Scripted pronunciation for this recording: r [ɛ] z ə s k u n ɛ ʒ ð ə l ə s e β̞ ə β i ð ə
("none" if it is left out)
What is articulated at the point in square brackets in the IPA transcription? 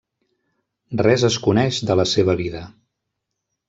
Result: ɛ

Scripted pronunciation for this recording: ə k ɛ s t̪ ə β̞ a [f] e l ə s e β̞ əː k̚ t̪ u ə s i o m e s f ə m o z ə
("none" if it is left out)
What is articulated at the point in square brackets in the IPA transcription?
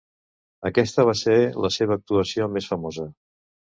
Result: s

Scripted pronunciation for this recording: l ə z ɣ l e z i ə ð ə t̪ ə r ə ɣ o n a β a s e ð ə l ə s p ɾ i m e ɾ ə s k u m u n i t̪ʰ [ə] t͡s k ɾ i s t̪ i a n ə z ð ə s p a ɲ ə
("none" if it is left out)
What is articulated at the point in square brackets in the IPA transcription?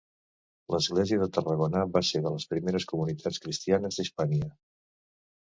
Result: a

